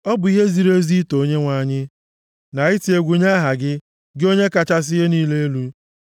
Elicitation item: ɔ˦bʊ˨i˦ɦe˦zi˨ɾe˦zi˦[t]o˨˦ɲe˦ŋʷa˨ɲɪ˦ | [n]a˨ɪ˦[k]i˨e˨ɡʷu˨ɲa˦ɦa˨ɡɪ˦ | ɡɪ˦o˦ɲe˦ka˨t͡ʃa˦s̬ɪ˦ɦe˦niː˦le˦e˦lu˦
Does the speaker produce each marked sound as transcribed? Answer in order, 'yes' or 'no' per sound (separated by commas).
yes, yes, no